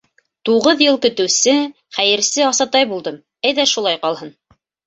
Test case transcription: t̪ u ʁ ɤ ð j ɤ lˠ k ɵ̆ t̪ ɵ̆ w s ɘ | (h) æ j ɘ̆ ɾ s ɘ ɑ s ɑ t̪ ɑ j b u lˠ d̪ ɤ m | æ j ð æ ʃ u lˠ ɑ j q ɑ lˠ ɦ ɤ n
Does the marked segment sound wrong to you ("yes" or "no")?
yes